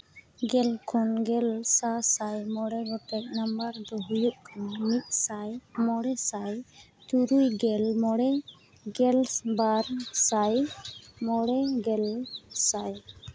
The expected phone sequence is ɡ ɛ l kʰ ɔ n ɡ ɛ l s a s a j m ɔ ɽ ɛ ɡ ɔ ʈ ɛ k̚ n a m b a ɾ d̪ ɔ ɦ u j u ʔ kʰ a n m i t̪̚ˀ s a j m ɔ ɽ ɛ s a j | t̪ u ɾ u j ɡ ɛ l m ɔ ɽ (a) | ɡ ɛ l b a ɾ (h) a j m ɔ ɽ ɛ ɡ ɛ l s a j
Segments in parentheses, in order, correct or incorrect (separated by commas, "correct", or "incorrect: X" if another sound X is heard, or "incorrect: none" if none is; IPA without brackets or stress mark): incorrect: ɛ, incorrect: s